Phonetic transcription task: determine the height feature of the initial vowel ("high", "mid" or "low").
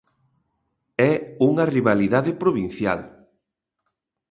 mid